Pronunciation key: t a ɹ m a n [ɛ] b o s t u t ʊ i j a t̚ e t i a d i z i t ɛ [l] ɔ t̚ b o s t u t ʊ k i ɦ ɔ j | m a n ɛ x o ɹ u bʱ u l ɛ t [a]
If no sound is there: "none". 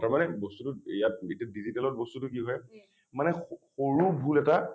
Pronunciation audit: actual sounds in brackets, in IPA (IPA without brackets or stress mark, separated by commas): ɛ, l, a